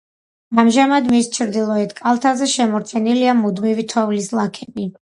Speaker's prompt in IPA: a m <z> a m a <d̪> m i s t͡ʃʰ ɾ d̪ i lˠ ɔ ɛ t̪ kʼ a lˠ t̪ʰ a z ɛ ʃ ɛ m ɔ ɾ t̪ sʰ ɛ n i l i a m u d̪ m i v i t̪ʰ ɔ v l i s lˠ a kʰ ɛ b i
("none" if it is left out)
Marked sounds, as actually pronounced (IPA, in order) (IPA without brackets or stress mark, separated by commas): ʒ, d̪